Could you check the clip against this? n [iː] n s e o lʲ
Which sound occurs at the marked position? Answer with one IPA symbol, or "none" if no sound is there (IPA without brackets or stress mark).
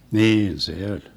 iː